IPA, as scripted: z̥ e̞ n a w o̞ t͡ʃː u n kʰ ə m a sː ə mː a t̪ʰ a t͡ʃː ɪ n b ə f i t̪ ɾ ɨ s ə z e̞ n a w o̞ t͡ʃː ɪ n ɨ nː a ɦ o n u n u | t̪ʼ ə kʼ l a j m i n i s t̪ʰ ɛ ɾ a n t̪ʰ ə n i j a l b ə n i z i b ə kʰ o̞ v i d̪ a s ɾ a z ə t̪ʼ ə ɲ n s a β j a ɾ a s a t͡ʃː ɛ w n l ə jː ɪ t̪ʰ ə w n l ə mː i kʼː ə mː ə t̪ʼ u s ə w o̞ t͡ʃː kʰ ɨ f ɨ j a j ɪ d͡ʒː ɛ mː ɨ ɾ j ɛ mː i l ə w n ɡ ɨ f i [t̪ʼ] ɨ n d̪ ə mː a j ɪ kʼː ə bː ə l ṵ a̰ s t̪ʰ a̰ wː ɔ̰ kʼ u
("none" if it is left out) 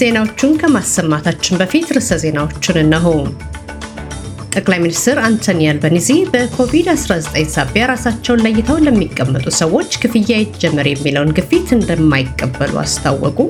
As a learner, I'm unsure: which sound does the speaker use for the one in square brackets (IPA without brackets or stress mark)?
t̪